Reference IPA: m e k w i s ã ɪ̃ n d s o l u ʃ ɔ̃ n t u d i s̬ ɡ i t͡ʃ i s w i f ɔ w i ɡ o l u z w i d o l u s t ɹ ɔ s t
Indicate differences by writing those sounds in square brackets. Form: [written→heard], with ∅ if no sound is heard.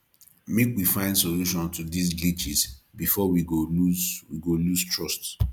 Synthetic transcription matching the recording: m e k w i [s→f] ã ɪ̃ n d s o l u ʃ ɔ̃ n t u d i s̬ ɡ i t͡ʃ i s [w→b] i f ɔ w i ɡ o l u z w i [d→ɡ] o l u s t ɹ ɔ s t